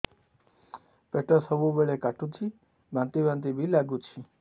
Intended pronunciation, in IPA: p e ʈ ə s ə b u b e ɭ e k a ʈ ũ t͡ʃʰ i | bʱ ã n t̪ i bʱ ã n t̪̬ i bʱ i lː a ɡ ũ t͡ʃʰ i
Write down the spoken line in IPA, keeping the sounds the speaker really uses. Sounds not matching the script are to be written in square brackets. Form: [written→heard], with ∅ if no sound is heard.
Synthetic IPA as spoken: p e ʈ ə s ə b u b e ɭ e k a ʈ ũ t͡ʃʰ i | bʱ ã n t̪ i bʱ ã n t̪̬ i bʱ i [lː→l] a ɡ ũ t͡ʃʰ i